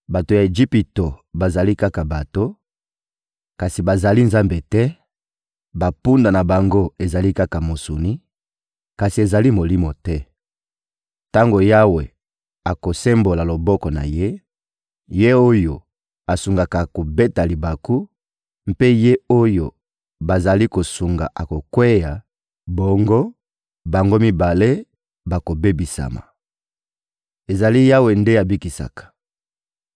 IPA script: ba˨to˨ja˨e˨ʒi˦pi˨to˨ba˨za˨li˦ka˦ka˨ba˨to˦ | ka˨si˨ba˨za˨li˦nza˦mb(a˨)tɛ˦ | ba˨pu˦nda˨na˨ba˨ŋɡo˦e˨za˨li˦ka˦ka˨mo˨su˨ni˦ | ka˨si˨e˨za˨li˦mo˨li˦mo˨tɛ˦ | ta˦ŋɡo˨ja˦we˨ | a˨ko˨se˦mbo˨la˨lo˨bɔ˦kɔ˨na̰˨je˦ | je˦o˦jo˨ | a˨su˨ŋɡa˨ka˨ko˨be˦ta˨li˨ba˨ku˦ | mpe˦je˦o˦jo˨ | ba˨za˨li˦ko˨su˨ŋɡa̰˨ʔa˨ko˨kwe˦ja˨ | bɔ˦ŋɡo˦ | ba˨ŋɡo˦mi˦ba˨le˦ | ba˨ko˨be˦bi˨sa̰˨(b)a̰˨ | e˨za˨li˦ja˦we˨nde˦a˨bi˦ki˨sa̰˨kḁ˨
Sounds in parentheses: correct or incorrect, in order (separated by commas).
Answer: incorrect, incorrect